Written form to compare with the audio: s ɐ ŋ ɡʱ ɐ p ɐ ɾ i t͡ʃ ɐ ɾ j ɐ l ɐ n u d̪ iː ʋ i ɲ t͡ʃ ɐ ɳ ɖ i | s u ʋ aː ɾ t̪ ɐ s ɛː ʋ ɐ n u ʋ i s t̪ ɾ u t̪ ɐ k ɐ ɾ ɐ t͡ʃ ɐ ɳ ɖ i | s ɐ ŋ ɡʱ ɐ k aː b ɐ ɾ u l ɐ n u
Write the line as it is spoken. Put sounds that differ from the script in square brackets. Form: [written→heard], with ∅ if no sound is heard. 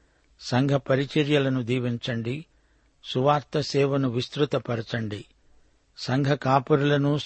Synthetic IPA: s ɐ ŋ ɡʱ ɐ p ɐ ɾ i t͡ʃ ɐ ɾ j ɐ l ɐ n u d̪ iː ʋ i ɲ t͡ʃ ɐ ɳ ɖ i | s u ʋ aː ɾ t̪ ɐ s ɛː ʋ ɐ n u ʋ i s t̪ ɾ u t̪ ɐ [k→p] ɐ ɾ ɐ t͡ʃ ɐ ɳ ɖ i | s ɐ ŋ ɡʱ ɐ k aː [b→p] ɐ ɾ u l ɐ n u